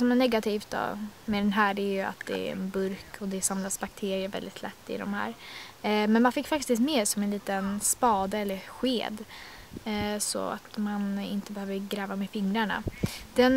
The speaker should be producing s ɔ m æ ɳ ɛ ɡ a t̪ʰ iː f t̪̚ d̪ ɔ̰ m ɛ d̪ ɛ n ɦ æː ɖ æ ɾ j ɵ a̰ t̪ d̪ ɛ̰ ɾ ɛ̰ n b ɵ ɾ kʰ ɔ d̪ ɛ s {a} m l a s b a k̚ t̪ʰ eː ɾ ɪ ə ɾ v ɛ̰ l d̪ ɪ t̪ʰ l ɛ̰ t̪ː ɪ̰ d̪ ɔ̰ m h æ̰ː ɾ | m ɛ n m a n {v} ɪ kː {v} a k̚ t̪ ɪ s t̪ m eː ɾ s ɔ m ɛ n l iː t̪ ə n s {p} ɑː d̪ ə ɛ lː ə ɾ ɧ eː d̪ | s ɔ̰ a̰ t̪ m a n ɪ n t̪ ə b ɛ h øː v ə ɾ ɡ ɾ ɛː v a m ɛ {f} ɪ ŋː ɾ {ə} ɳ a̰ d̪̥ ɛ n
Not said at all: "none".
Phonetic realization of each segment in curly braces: a, f, f, p, f, a

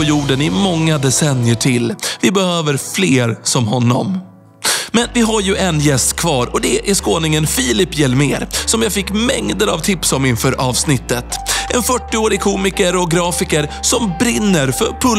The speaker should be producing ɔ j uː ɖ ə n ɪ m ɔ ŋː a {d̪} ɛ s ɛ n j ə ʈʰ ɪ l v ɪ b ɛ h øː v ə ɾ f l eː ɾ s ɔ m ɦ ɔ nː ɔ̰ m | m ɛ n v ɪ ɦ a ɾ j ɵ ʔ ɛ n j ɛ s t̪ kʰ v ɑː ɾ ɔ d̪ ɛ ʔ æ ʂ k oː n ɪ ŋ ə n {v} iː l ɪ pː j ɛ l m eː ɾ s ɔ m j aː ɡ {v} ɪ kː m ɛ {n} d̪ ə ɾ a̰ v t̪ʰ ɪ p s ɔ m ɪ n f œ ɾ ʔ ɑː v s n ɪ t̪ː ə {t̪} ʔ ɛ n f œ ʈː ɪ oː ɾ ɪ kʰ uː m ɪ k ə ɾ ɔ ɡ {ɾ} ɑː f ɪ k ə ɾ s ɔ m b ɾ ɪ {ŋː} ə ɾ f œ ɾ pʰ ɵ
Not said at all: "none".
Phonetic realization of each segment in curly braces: d̪, f, f, ŋ, t̪, ɾ, nː

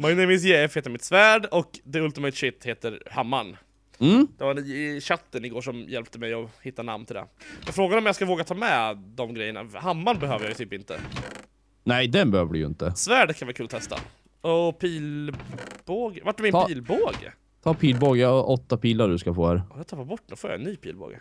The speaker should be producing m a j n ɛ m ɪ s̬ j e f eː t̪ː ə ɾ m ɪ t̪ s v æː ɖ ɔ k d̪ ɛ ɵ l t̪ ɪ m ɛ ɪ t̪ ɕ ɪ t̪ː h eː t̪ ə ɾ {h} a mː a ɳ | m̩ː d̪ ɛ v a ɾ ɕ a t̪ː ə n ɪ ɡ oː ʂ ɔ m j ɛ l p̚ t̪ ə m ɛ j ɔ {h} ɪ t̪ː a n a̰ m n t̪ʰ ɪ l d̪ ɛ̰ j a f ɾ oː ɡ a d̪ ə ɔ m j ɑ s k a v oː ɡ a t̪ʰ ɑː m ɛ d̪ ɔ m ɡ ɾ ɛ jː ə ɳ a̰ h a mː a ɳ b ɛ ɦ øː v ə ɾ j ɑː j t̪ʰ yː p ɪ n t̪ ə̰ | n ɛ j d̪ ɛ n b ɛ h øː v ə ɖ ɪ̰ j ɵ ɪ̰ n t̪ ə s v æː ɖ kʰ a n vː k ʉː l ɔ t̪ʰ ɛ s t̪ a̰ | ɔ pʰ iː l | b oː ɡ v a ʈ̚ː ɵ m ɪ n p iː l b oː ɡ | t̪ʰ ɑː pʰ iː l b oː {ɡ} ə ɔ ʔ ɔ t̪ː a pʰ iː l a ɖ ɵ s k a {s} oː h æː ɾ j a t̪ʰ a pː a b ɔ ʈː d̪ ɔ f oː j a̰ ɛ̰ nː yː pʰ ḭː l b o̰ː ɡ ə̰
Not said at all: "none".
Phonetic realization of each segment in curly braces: h, h, ɡ, f

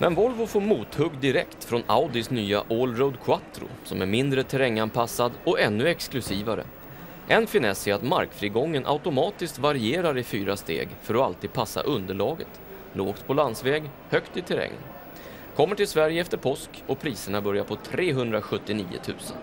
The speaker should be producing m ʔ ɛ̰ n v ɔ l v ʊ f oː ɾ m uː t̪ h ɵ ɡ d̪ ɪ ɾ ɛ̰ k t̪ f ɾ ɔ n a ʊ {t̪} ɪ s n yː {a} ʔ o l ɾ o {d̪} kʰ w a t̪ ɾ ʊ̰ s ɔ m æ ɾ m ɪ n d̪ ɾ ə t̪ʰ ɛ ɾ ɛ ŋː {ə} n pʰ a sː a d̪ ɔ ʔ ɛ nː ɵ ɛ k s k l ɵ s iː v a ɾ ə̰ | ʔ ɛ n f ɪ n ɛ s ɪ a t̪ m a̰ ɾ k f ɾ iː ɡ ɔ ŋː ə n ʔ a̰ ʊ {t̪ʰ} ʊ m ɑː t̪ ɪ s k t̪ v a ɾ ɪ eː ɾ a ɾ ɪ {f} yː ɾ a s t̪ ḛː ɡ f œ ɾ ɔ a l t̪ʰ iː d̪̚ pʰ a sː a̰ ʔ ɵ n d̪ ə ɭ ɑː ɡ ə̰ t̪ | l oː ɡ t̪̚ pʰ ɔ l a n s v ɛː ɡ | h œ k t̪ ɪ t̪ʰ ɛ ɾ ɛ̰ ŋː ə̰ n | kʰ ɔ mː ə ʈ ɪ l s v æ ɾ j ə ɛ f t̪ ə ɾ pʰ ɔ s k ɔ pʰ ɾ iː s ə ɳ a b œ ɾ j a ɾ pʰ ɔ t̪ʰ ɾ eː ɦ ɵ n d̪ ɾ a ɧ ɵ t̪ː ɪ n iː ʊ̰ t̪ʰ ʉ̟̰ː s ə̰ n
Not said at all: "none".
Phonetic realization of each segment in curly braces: d̪, a, d̪, a, t̪, f

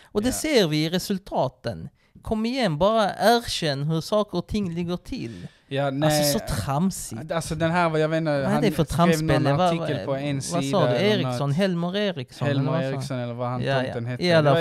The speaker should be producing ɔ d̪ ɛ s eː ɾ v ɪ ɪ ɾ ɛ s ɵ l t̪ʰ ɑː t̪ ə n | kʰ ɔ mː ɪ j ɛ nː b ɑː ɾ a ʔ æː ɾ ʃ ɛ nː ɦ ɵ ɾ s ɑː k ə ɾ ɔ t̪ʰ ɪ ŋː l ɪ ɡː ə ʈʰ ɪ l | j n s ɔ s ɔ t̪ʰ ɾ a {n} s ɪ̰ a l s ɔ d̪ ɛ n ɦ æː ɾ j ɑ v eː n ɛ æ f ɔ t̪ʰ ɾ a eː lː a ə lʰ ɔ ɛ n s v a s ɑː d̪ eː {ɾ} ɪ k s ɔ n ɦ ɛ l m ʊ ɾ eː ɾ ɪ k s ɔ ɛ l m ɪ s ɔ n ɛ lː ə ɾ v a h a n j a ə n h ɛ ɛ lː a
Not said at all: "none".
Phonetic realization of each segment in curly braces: m, ɾ

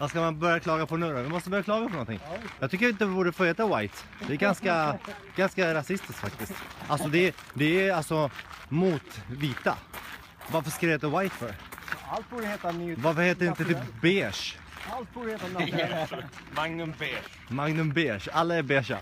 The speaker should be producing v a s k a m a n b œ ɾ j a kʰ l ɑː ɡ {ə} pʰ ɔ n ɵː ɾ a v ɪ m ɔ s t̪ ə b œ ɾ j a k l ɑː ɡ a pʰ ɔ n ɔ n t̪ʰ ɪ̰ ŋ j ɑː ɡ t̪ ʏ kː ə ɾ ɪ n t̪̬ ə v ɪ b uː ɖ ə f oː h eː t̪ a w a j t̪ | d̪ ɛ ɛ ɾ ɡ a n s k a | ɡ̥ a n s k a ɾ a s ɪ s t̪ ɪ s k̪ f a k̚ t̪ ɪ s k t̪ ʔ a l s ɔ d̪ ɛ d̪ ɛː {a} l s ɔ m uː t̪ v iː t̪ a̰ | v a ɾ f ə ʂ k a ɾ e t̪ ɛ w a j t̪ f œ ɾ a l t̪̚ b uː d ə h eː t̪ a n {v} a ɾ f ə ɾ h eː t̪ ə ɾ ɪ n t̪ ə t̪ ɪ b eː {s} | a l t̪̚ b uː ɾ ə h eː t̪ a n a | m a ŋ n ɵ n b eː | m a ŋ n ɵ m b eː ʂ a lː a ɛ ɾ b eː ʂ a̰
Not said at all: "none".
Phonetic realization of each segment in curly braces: a, a, v, ʂ

